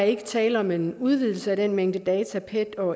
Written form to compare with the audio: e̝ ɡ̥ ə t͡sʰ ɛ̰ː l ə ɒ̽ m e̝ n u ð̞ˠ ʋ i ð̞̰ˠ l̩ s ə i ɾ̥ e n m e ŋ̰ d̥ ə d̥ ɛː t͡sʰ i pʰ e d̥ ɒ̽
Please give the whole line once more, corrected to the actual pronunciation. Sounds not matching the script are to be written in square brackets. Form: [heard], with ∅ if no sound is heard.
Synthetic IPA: e̝ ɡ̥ ə t͡sʰ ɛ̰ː l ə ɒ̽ m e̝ n u ð̞ˠ ʋ i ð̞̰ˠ l̩ s ə [æ] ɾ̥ e n m e ŋ̰ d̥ ə d̥ ɛː t͡sʰ [æ] pʰ e d̥ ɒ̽